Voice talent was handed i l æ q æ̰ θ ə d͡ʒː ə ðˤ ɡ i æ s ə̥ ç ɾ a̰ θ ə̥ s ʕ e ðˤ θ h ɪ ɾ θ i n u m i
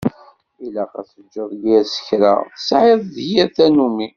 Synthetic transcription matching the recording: i l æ q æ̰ θ ə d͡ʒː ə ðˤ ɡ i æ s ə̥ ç ɾ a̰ θ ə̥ s ʕ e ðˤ ð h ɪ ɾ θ æ n u m i